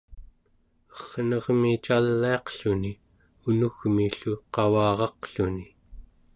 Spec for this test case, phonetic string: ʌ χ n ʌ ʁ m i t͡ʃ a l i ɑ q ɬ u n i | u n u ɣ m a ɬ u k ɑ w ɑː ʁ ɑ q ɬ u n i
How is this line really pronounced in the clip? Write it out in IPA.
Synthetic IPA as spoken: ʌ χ n ʌ ʁ m i t͡ʃ a lː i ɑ q ɬ u n i | u n u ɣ m i ɬ u q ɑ w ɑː ʁ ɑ q ɬ u n i